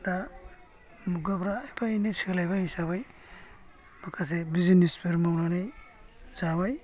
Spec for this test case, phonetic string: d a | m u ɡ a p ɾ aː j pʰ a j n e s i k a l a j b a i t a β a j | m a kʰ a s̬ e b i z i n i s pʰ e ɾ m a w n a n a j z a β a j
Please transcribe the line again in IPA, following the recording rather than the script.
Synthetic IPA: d a | m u ɡ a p ɾ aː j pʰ a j n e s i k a l a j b a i s a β a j | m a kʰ a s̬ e b i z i n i s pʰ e ɾ m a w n a n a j z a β a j